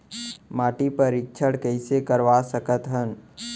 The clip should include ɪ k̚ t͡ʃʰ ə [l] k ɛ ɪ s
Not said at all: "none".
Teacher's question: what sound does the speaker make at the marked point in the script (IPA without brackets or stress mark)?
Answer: ɽ